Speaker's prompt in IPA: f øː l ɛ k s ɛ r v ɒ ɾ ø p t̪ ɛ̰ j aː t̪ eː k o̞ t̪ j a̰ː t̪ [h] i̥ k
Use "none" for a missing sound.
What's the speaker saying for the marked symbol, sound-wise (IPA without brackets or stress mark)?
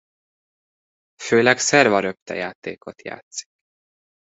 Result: s